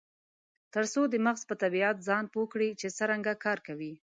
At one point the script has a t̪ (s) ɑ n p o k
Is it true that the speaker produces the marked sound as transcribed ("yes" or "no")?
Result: no